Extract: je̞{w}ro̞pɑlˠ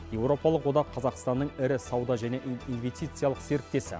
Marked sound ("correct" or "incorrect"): correct